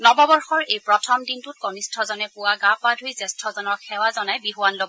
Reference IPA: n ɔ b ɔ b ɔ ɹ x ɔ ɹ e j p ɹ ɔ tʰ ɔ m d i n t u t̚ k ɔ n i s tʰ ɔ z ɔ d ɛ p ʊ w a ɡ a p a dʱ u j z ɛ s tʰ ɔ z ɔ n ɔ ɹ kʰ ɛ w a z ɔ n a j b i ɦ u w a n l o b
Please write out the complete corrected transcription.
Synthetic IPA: n ɔ b ɔ b ɔ ɹ x ɔ ɹ e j p ɹ ɔ tʰ ɔ m d i n t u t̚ k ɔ n i s tʰ ɔ z ɔ n ɛ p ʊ w a ɡ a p a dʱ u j z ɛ s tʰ ɔ z ɔ n ɔ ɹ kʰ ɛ w a z ɔ n a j b i ɦ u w a n l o b